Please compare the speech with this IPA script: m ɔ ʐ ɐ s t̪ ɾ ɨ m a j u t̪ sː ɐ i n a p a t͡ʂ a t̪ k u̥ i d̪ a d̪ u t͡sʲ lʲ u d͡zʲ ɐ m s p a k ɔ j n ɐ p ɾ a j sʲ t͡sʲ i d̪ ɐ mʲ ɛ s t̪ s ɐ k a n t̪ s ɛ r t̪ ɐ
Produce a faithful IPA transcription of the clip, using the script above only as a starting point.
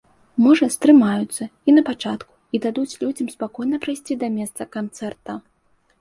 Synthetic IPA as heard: m ɔ ʐ ɐ s t̪ ɾ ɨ m a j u t̪ sː ɐ i n ɐ p a t͡ʂ a t̪ k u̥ i d̪ a d̪ u t͡sʲ lʲ u d͡zʲ ɐ m s p a k ɔ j n ɐ p ɾ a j sʲ t͡sʲ i d̪ ɐ mʲ ɛ s t̪ s ɐ k a n t̪ s ɛ r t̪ ɐ